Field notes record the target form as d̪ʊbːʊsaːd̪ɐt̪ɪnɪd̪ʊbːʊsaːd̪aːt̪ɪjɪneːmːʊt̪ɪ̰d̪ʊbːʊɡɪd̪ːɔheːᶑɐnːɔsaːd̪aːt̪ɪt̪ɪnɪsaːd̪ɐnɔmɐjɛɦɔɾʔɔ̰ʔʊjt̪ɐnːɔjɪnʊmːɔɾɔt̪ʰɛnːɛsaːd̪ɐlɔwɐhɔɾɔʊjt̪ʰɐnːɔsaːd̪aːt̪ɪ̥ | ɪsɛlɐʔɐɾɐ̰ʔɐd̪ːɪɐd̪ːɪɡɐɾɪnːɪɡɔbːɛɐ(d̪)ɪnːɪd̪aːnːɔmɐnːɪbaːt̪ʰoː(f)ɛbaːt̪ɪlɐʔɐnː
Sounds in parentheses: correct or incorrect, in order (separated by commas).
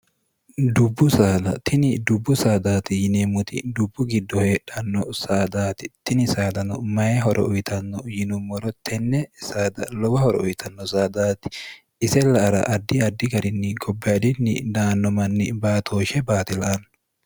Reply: correct, incorrect